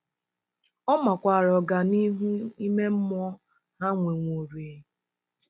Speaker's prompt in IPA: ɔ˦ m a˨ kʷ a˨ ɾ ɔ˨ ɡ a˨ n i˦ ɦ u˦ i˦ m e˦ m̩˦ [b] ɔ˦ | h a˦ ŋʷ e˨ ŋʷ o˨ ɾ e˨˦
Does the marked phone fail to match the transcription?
yes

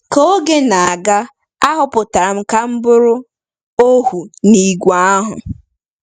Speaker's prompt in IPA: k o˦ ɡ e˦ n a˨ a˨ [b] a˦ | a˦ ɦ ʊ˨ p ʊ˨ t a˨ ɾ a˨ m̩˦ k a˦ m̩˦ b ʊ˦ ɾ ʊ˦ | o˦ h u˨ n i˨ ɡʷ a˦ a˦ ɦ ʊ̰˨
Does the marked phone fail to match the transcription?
yes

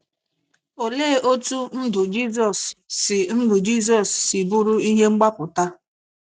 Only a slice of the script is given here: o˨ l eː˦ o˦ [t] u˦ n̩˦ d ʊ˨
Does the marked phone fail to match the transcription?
no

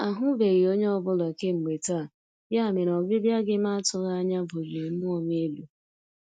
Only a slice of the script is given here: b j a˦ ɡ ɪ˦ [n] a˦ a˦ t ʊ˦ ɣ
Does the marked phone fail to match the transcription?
yes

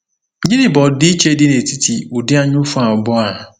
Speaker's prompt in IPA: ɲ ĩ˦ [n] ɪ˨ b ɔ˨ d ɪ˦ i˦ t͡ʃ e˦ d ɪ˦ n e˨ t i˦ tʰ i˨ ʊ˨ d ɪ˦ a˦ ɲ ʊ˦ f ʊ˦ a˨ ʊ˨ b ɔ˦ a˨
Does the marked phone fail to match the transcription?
no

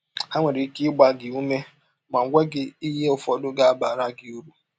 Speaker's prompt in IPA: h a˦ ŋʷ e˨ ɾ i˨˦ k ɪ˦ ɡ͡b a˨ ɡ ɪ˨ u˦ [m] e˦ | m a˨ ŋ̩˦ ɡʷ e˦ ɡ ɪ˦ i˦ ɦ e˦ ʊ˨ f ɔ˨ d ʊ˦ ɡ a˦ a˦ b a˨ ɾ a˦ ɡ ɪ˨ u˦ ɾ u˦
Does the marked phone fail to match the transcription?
no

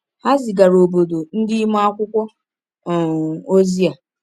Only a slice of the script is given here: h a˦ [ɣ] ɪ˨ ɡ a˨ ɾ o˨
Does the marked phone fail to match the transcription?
yes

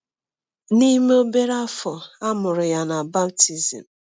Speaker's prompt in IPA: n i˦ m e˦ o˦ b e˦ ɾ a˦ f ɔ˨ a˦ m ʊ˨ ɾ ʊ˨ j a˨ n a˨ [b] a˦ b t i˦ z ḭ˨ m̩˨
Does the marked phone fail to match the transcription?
no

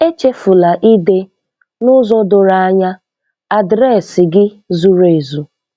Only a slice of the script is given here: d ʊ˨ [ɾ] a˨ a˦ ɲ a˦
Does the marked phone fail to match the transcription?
no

